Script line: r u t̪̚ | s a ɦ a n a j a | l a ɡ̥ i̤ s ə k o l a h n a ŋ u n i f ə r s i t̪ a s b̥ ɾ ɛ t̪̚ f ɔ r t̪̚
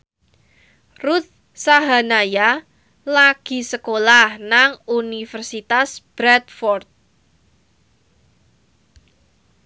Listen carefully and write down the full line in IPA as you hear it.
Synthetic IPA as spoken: r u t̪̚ | s a ɦ a n a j a | l a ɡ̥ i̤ s ə k o l a h n a ŋ u n i f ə r s i t̪ a s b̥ ɾ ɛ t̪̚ f ɔ r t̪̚